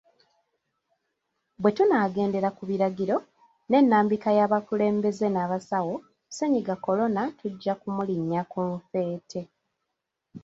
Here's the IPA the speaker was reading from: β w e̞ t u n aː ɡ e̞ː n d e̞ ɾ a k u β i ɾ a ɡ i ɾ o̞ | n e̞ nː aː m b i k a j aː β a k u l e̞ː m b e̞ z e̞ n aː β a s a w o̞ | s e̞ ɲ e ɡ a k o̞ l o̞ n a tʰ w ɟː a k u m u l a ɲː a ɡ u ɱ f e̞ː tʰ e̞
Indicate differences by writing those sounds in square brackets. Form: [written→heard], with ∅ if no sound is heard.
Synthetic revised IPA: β w e̞ t u n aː ɡ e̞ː n d e̞ ɾ a k u β i ɾ a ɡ i ɾ o̞ | n e̞ nː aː m b i k a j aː β a k u l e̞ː m b e̞ z e̞ n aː β a s a w o̞ | s e̞ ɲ [e→i] ɡ a k o̞ l o̞ n a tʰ [w→u] ɟː a k u m u l [a→i] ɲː a [ɡ→k] u ɱ f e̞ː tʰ e̞